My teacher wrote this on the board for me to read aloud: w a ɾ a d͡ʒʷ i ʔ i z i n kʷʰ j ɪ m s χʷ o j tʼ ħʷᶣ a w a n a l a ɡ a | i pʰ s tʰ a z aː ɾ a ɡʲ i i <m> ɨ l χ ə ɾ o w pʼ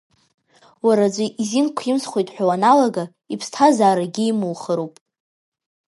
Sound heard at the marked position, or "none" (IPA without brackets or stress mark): m